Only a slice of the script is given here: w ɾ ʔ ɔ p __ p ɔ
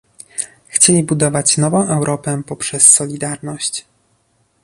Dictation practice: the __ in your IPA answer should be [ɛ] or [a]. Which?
ɛ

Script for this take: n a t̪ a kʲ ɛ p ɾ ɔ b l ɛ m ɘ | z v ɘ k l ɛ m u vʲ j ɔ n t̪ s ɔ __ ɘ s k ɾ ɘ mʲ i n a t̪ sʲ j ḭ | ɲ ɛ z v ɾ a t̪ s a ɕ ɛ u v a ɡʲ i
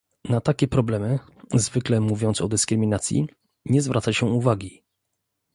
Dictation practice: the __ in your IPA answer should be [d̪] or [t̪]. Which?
d̪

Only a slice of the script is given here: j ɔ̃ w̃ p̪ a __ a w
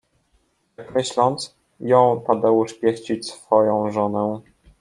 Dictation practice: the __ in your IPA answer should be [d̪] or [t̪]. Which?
d̪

